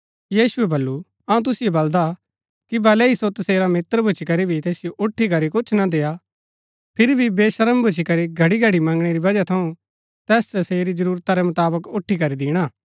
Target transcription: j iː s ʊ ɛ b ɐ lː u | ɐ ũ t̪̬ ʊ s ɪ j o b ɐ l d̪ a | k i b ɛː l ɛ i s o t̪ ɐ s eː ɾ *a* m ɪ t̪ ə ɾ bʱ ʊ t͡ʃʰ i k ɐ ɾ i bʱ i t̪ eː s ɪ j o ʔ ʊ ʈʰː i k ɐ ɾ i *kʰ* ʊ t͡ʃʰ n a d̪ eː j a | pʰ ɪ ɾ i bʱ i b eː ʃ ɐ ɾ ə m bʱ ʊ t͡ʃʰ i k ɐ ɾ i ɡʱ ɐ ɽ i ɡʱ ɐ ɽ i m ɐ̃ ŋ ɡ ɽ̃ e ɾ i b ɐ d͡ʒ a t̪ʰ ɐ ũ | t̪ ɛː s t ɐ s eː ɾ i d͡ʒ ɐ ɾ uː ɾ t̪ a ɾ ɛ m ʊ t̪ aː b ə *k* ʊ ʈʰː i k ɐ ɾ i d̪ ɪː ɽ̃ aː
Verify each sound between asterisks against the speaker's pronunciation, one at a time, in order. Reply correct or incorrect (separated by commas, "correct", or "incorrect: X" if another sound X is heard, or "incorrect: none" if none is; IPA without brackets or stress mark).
correct, incorrect: k, correct